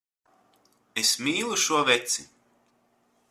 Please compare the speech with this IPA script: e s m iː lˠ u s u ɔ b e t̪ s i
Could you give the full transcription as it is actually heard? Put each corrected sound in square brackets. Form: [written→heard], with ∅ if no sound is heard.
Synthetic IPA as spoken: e s m iː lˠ u [s→ʃ] u ɔ [b→v] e t̪ s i